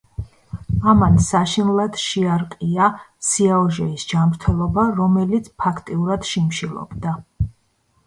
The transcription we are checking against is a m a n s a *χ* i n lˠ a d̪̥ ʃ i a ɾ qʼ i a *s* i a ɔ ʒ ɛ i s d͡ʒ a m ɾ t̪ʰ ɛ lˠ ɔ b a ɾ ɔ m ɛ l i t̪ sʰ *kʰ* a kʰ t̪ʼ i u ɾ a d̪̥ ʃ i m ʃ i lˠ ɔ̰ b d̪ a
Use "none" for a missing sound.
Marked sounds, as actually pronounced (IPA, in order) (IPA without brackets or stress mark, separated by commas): ʃ, s, pʰ